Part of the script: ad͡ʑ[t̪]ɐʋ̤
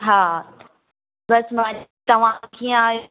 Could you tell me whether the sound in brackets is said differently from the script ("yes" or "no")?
no